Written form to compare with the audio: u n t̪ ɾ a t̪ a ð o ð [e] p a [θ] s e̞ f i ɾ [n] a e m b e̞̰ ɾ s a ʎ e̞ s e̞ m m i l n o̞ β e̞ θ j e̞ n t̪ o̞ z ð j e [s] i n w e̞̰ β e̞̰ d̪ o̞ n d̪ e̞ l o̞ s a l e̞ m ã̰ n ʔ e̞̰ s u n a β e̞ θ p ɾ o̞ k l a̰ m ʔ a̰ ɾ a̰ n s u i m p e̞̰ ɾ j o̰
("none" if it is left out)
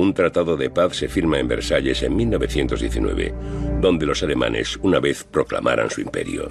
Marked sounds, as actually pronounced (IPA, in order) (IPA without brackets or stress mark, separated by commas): e, θ, m, θ